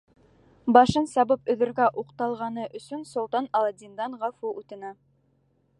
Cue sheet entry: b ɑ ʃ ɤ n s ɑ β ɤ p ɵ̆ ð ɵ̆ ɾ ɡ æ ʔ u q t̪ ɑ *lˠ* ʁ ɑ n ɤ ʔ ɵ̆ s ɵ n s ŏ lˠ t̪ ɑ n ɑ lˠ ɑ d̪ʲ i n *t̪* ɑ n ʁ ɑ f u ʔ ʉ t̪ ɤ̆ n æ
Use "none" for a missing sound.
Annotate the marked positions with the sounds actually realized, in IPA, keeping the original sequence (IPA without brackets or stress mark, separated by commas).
lˠ, d̪